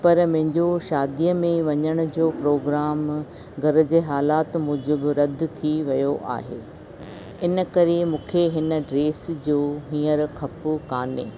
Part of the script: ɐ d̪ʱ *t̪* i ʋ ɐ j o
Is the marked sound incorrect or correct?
incorrect